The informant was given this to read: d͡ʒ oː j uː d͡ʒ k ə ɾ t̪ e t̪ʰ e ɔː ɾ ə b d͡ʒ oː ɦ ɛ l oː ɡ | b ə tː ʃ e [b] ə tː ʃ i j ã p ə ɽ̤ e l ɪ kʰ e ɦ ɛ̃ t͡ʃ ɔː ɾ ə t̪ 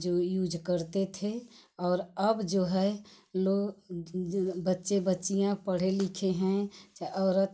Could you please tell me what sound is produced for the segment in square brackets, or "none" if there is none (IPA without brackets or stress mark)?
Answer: b